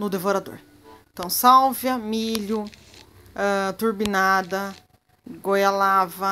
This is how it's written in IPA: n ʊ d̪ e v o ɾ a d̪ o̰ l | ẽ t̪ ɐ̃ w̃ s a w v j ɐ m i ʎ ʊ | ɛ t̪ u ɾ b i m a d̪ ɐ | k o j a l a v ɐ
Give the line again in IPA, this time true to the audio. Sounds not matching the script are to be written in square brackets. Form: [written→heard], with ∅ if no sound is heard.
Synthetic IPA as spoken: n ʊ d̪ e v o ɾ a d̪ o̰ [l→ɾ] | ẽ t̪ ɐ̃ w̃ s a w v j ɐ m i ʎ ʊ | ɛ t̪ u ɾ b i [m→n] a d̪ ɐ | [k→ɡ] o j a l a v ɐ